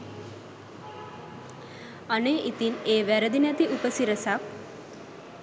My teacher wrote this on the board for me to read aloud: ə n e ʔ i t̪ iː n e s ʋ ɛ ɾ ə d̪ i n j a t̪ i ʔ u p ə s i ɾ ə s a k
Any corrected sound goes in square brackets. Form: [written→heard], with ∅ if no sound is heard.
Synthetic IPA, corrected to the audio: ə n e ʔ i t̪ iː n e [s→∅] ʋ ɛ ɾ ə d̪ i n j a t̪ i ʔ u p ə s i ɾ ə s a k